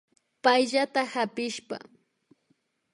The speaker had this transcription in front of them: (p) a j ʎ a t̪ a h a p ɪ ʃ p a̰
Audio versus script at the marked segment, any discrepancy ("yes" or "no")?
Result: no